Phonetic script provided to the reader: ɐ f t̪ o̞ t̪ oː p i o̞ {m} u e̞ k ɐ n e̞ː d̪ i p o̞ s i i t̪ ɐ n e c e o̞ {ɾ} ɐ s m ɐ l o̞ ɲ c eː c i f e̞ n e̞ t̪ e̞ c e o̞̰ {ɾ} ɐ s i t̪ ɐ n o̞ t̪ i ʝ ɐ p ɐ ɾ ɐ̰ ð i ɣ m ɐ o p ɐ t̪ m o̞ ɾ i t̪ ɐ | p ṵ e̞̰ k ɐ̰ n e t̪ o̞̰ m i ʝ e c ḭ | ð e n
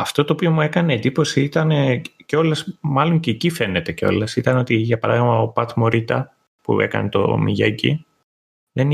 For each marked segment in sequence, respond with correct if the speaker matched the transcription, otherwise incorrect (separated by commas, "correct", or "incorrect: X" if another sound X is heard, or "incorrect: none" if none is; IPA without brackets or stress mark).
correct, incorrect: l, incorrect: l